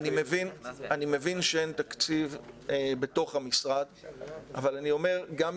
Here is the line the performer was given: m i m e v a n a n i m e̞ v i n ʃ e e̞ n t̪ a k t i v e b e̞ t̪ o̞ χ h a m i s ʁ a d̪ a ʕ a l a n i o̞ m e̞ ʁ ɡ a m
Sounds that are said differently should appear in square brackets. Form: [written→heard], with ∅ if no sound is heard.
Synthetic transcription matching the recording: [m→n] i m e v [a→i] n a n i m e̞ v i n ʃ e e̞ n t̪ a k [t→t͡s] i v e b e̞ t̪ o̞ χ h a m i s ʁ a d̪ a [ʕ→v] a l a n i o̞ m e̞ ʁ ɡ a m